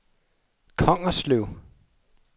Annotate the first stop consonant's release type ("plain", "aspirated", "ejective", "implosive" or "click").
aspirated